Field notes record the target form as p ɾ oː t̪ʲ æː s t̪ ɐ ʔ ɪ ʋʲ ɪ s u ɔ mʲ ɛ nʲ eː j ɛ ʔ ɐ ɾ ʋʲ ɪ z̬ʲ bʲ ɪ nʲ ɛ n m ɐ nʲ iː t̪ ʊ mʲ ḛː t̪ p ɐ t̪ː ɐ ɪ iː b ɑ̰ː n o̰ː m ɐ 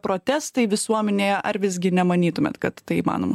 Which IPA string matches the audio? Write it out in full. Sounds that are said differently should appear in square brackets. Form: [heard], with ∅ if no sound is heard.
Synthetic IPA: p ɾ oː t̪ʲ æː s t̪ ɐ [∅] ɪ ʋʲ ɪ s u ɔ mʲ ɛ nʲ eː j ɛ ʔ ɐ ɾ ʋʲ ɪ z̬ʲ [ɡʲ] ɪ nʲ ɛ [∅] m ɐ nʲ iː t̪ ʊ mʲ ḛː t̪ [k] ɐ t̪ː ɐ ɪ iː [m] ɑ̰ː n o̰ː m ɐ